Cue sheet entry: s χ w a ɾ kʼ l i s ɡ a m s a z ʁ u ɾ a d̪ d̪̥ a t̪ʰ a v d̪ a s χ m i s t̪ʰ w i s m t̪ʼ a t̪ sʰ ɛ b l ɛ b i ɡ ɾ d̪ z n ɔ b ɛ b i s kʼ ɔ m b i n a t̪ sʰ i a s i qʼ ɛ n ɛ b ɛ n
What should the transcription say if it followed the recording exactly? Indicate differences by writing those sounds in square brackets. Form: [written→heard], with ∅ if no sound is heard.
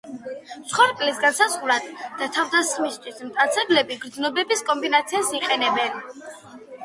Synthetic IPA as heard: s χ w a ɾ kʼ l i s ɡ a [m→n] s a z ʁ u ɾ a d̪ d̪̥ a t̪ʰ a v d̪ a s χ m i s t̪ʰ w i s m t̪ʼ a t̪ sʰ ɛ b l ɛ b i ɡ ɾ d̪ z n ɔ b ɛ b i s kʼ ɔ m b i n a t̪ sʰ i a s i qʼ ɛ n ɛ b ɛ n

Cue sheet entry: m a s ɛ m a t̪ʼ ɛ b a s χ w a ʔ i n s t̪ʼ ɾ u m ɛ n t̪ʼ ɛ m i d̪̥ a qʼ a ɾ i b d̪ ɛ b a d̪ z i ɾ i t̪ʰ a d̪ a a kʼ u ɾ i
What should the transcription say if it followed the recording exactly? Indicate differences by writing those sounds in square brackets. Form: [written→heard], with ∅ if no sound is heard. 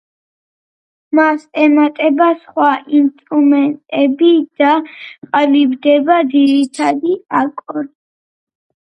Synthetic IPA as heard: m a s ɛ m a t̪ʼ ɛ b a s χ w a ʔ i n s t̪ʼ ɾ u m ɛ n t̪ʼ ɛ [m→b] i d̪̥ a qʼ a [ɾ→l] i b d̪ ɛ b a d̪ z i ɾ i t̪ʰ a d̪ [a→i] a kʼ [u→ɔ] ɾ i

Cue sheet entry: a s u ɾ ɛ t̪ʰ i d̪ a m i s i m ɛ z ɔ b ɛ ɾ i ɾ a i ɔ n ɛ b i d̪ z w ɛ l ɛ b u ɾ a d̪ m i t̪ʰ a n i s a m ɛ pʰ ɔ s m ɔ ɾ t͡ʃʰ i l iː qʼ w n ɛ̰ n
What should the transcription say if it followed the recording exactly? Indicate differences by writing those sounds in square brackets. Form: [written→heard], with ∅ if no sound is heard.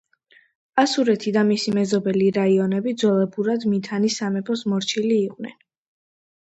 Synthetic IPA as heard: a s u ɾ ɛ t̪ʰ i d̪ a m i s i m ɛ z ɔ b ɛ [ɾ→l] i ɾ a i ɔ n ɛ b i d̪ z w ɛ l ɛ b u ɾ a d̪ m i t̪ʰ a n i s a m ɛ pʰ ɔ s m ɔ ɾ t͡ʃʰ i l iː qʼ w n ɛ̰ n

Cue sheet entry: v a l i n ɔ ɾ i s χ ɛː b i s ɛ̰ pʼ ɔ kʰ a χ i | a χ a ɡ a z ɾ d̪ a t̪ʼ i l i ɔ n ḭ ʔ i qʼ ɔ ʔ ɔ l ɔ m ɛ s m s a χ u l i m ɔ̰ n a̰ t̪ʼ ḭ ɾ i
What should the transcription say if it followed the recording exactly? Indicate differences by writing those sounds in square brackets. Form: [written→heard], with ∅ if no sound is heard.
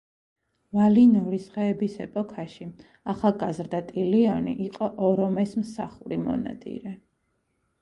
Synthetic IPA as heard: v a l i n ɔ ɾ i s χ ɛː b i s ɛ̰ pʼ ɔ kʰ a [χ→ʃ] i | a χ a ɡ a z ɾ d̪ a t̪ʼ i l i ɔ n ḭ ʔ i qʼ ɔ ʔ ɔ [l→ɾ] ɔ m ɛ s m s a χ u [l→ɾ] i m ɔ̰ n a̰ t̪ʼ ḭ ɾ [i→ɛ]

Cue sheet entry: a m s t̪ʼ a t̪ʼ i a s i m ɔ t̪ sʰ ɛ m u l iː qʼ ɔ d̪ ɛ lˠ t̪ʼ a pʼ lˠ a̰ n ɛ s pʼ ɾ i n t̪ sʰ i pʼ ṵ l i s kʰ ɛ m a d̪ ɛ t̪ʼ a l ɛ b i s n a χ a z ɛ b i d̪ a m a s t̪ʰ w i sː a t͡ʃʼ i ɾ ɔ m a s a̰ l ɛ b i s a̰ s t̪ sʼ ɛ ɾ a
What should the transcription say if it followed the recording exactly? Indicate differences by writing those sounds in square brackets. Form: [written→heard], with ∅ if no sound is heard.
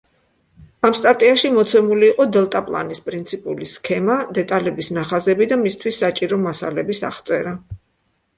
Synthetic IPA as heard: a m s t̪ʼ a t̪ʼ i a [s→ʃ] i m ɔ t̪ sʰ ɛ m u l iː qʼ ɔ d̪ ɛ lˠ t̪ʼ a pʼ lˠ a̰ n [ɛ→i] s pʼ ɾ i n t̪ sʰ i pʼ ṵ l i s kʰ ɛ m a d̪ ɛ t̪ʼ a l ɛ b i s n a χ a z ɛ b i d̪ a m [a→i] s t̪ʰ w i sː a t͡ʃʼ i ɾ ɔ m a s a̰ l ɛ b i s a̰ [s→χ] t̪ sʼ ɛ ɾ a

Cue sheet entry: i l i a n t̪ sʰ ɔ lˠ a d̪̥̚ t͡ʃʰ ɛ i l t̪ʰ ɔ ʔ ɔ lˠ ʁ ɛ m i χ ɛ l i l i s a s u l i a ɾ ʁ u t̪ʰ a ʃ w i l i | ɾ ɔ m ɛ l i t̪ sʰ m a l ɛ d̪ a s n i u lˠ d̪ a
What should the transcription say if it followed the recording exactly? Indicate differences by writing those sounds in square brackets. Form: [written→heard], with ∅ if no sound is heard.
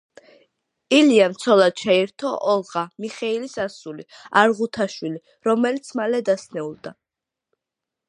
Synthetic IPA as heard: i l i a [n→m] t̪ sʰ ɔ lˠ a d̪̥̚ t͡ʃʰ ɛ i [l→ɾ] t̪ʰ ɔ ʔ ɔ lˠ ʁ [ɛ→a] m i χ ɛ [l→∅] i l i s a s u l i a ɾ ʁ u t̪ʰ a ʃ w i l i | ɾ ɔ m ɛ l i t̪ sʰ m a l ɛ d̪ a s n [i→ɛ] u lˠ d̪ a

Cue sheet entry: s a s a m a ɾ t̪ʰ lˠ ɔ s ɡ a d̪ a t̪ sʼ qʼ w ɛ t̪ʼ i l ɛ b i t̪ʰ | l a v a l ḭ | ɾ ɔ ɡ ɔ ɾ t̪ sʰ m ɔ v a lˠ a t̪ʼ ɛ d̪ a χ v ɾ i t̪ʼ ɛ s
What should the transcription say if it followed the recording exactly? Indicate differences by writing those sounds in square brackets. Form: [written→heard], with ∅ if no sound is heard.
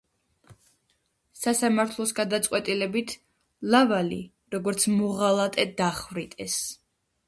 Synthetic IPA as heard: s a s a m a ɾ t̪ʰ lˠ ɔ s ɡ a d̪ a t̪ sʼ qʼ w ɛ t̪ʼ i l ɛ b i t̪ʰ | l a v a l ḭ | ɾ ɔ ɡ ɔ ɾ t̪ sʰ m ɔ [v→ʁ] a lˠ a t̪ʼ ɛ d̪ a χ v ɾ i t̪ʼ ɛ s

